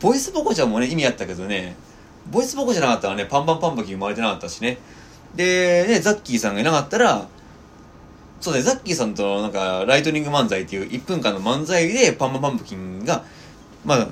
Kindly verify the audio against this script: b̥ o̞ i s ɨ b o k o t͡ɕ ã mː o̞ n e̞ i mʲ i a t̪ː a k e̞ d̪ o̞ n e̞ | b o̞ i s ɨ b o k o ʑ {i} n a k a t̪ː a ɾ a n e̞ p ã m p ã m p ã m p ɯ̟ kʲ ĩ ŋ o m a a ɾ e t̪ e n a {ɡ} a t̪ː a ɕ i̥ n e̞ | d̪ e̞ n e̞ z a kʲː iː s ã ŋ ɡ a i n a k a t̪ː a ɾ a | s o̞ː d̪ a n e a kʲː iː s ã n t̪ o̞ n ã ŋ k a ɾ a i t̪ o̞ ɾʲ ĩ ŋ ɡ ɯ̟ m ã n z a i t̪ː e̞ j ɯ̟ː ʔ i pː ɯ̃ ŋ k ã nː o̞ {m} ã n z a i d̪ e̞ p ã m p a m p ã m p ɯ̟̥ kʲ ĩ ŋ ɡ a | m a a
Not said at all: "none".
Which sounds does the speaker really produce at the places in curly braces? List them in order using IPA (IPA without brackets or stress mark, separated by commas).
a, k, m